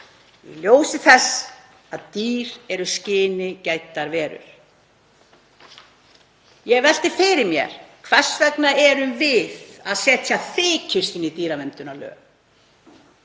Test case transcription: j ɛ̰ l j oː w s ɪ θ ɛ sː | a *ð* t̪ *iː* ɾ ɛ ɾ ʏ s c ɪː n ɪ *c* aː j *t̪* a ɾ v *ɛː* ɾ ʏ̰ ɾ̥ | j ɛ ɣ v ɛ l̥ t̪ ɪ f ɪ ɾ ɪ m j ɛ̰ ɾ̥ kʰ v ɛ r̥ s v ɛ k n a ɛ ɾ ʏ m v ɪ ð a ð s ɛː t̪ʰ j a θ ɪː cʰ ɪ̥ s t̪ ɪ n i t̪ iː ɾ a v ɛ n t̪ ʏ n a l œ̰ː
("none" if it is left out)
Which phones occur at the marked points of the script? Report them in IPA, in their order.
ð, iː, c, t̪, ɛː

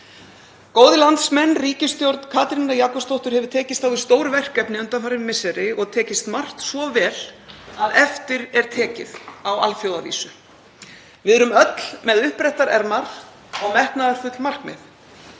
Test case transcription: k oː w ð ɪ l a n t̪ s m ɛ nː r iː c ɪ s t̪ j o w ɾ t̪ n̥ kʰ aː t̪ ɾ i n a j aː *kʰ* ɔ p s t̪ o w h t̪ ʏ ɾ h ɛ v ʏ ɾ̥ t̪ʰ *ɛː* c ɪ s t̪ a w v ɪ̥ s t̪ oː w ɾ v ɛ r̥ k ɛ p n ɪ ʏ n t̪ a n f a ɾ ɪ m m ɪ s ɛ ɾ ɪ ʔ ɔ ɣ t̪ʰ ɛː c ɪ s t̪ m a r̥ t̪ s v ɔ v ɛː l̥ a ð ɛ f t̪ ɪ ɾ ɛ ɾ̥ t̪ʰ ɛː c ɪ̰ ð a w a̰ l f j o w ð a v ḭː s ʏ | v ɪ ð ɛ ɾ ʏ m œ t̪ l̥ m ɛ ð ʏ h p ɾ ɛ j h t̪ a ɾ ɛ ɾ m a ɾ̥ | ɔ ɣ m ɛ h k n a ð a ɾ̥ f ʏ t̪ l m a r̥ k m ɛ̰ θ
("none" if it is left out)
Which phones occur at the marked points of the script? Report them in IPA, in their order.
k, ɛː

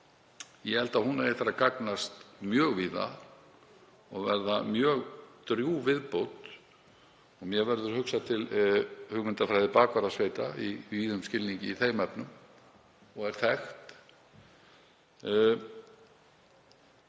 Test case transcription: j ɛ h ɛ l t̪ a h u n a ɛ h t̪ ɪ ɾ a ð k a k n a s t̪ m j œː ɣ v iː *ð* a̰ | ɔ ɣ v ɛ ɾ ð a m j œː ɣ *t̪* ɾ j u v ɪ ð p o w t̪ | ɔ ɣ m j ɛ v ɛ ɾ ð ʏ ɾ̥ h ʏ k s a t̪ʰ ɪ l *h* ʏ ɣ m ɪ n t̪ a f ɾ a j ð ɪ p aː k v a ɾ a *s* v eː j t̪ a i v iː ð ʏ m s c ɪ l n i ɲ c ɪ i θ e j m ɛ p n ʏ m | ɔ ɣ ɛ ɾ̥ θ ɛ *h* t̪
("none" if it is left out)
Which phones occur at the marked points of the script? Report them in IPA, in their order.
ð, t̪, h, s, x

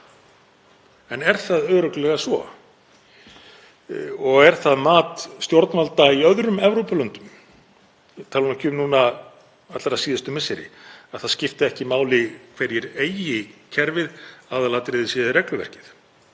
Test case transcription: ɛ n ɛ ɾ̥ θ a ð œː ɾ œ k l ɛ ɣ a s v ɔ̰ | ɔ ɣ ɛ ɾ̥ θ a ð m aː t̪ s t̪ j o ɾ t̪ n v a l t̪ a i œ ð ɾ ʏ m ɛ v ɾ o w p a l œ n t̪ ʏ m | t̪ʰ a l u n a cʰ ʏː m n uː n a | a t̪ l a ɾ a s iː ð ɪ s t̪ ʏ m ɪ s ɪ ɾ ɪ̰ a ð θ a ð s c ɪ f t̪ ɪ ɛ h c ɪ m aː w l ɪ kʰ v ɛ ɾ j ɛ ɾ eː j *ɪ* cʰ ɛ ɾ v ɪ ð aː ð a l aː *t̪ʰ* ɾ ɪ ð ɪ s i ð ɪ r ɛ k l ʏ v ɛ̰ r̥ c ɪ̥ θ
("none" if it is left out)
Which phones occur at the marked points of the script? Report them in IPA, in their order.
ɪ, t̪

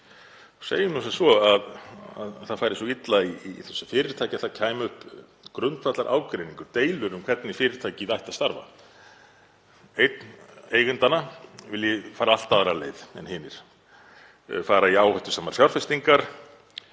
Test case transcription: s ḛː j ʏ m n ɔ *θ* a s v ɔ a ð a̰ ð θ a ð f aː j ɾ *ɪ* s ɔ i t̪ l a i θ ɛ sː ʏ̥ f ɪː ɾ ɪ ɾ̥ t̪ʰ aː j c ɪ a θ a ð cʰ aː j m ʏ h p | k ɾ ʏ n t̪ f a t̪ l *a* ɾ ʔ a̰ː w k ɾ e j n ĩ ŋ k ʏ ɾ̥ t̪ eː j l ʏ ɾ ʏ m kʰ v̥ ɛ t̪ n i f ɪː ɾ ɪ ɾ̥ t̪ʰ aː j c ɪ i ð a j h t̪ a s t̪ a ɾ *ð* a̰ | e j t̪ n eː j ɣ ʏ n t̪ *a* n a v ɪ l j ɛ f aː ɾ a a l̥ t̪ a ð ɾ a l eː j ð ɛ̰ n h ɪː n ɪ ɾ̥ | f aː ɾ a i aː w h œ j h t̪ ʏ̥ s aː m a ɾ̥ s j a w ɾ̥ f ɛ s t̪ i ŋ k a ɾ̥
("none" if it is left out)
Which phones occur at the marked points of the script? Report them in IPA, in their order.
s, ɪ, a, v, a

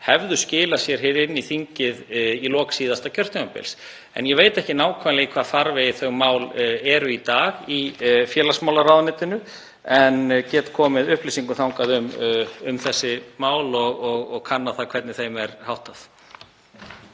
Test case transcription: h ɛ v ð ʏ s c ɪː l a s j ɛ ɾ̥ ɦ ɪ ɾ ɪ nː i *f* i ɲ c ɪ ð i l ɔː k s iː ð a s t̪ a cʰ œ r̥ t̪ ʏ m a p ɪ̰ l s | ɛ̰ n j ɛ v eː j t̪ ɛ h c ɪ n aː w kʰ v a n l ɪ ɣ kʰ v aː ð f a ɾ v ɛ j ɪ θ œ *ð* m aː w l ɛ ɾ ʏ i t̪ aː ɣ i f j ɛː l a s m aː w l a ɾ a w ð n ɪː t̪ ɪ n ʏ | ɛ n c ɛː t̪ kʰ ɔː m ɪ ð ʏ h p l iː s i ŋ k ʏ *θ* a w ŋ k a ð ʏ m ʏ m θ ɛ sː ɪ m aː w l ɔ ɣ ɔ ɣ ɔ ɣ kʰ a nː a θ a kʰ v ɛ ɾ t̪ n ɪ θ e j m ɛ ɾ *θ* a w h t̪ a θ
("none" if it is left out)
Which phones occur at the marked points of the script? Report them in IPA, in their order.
θ, ɣ, θ, h

